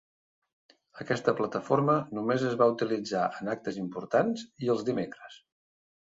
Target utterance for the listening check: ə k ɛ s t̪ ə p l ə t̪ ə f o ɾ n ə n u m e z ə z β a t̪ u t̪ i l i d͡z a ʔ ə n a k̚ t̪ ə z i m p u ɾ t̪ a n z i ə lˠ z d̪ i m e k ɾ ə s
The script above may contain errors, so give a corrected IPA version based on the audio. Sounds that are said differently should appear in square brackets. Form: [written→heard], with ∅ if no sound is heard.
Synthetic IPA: ə k ɛ s t̪ ə p l ə t̪ ə f o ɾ [n→m] ə n u m e z ə z β a [t̪→∅] u t̪ i l i d͡z a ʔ ə n a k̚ t̪ ə z i m p u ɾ t̪ a n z i ə lˠ z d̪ i m e k ɾ ə s